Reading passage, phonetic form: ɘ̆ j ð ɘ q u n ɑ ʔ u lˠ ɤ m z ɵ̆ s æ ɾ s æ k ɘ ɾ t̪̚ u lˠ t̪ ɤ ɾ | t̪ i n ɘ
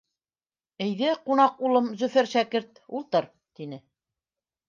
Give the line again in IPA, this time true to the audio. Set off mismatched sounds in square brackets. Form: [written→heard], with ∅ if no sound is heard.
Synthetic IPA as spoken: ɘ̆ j ð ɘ q u n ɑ [ʔ→q] u lˠ ɤ m z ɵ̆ [s→f] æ ɾ [s→ʃ] æ k ɘ ɾ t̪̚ u lˠ t̪ ɤ ɾ | t̪ i n ɘ

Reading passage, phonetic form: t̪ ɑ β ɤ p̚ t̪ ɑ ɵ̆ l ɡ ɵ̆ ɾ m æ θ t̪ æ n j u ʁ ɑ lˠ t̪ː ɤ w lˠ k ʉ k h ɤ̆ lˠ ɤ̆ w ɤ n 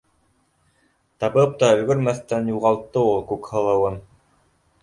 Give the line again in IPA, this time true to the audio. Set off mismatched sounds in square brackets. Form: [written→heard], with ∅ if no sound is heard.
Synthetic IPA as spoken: t̪ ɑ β ɤ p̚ t̪ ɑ ɵ̆ l ɡ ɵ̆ ɾ m æ θ t̪ æ n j u ʁ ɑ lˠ t̪ː ɤ [w→u] lˠ k ʉ k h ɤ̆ lˠ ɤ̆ w ɤ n

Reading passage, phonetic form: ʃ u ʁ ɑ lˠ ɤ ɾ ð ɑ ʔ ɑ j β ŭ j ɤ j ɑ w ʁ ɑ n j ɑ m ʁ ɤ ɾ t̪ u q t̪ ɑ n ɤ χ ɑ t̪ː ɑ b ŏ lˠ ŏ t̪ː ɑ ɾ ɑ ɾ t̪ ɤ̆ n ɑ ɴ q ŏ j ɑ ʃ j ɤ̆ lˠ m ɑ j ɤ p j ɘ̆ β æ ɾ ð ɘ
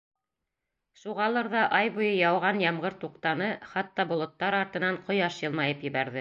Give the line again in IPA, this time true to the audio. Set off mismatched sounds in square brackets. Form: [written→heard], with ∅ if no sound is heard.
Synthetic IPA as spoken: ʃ u ʁ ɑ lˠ ɤ ɾ ð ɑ ʔ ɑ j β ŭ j ɤ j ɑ w ʁ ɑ n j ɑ m ʁ ɤ ɾ t̪ u q t̪ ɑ n ɤ χ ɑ t̪ː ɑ b ŏ lˠ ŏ t̪ː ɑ ɾ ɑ ɾ t̪ ɤ̆ n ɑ ɴ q ŏ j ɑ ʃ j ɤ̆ lˠ m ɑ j ɤ p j ɘ̆ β æ ɾ ð ɘ

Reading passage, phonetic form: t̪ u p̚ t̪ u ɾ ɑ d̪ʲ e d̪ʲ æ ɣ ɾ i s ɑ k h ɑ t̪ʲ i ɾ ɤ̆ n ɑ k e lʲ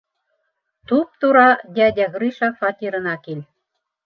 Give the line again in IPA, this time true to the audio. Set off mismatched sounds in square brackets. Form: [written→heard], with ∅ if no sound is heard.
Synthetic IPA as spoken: t̪ u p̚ t̪ u ɾ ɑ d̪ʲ [e→æ] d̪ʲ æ ɣ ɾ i [s→ʃ] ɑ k [h→f] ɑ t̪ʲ i ɾ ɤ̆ n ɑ k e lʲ

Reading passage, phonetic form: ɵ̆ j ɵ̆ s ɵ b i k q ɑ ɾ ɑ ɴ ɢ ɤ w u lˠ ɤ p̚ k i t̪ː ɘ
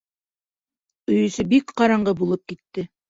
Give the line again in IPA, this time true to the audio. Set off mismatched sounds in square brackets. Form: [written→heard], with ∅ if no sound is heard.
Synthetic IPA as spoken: ɵ̆ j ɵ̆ s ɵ b i k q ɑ ɾ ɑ ɴ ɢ ɤ [w→b] u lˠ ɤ p̚ k i t̪ː ɘ

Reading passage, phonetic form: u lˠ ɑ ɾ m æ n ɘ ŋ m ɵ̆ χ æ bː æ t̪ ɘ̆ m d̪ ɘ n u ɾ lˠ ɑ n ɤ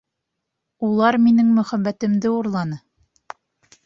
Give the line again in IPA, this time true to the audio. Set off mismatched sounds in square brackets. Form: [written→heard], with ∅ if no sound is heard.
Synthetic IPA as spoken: u lˠ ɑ ɾ m [æ→i] n ɘ ŋ m ɵ̆ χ æ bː æ t̪ ɘ̆ m d̪ ɘ [n→∅] u ɾ lˠ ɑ n ɤ

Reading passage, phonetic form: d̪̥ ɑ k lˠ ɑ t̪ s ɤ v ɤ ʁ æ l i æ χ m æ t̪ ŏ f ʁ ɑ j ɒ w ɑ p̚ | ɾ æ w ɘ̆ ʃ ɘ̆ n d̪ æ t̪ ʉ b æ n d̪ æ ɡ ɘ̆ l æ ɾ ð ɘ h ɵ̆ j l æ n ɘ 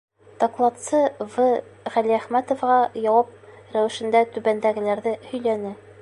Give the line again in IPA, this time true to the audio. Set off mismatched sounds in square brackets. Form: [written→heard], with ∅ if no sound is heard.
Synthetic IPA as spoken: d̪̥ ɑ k lˠ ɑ t̪ s ɤ v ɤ ʁ æ l i æ χ m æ t̪ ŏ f ʁ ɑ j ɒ w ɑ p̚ | ɾ æ w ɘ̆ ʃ ɘ̆ n d̪ æ t̪ ʉ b æ n d̪ æ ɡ ɘ̆ l æ ɾ ð ɘ h ɵ̆ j l æ n ɘ

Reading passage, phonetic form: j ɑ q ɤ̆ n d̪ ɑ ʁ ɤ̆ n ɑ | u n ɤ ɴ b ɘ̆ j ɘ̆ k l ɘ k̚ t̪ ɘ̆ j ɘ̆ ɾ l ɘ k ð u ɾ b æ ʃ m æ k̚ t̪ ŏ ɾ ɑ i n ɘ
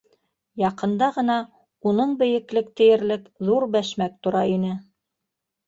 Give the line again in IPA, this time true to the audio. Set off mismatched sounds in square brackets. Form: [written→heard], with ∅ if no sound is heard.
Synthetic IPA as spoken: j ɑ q ɤ̆ n d̪ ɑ ʁ ɤ̆ n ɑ | u n ɤ ɴ b ɘ̆ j ɘ̆ k l ɘ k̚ t̪ ɘ̆ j ɘ̆ ɾ l ɘ k ð u ɾ b æ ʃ m æ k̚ t̪ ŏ ɾ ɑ i n ɘ

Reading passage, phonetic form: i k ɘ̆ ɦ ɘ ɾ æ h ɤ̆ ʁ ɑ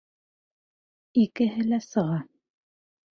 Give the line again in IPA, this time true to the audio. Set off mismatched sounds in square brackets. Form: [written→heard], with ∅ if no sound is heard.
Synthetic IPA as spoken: i k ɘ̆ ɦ ɘ [ɾ→l] æ [h→s] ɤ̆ ʁ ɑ

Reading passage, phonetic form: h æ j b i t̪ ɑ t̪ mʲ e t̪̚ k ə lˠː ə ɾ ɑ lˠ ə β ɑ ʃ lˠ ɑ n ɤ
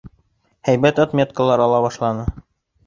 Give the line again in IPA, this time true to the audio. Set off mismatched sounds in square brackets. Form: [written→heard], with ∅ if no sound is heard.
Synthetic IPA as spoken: h æ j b [i→æ] t̪ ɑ t̪ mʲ e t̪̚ k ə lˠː [ə→ɑ] ɾ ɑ lˠ [ə→ɑ] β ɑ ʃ lˠ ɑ n ɤ

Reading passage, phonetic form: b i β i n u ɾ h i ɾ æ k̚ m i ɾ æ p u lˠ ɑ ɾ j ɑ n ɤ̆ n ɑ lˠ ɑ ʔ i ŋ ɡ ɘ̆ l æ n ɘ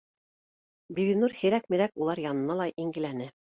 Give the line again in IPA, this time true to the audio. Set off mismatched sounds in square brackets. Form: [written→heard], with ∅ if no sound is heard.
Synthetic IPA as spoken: b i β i n u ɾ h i ɾ æ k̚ m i ɾ æ [p→k] u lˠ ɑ ɾ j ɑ n ɤ̆ n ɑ lˠ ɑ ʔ i ŋ ɡ ɘ̆ l æ n ɘ

